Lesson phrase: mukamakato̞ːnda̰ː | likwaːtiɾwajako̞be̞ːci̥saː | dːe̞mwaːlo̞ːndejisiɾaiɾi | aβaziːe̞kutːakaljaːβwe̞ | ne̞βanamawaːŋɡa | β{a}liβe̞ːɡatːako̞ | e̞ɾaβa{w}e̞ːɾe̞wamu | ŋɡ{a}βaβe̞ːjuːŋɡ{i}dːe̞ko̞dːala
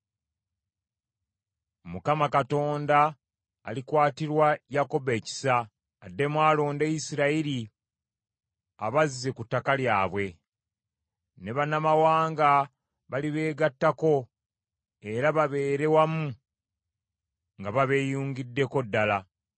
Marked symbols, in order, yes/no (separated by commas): yes, no, yes, yes